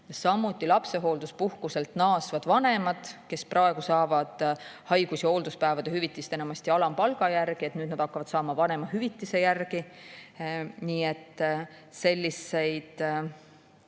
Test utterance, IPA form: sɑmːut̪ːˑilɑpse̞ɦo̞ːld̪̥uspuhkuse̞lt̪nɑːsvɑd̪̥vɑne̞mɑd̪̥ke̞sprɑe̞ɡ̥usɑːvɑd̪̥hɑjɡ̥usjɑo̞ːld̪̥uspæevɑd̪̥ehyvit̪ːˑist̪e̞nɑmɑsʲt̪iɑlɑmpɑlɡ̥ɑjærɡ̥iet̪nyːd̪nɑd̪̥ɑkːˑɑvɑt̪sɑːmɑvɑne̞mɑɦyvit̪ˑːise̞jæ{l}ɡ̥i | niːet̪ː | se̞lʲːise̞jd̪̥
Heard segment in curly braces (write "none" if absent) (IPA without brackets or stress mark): r